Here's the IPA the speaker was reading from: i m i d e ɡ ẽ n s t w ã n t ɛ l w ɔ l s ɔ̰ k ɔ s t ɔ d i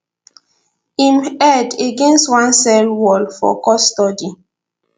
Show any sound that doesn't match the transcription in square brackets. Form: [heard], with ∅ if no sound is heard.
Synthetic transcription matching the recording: i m [ɛ] d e ɡ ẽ n s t w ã n [s] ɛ l w ɔ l [f] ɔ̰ k ɔ s t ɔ d i